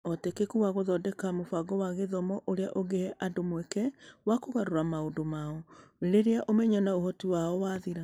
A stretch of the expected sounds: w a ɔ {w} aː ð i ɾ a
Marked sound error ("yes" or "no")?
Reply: no